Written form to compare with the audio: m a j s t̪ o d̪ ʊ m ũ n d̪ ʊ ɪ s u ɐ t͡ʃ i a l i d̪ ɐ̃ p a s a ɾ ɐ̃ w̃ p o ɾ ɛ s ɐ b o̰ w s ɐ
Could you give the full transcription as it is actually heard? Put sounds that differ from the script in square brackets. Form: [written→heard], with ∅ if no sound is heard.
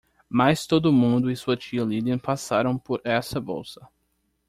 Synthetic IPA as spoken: m a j s t̪ o d̪ ʊ m ũ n d̪ ʊ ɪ s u ɐ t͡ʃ i [a→ɐ] l i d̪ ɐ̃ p a s a ɾ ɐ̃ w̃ p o ɾ ɛ s ɐ b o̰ w s ɐ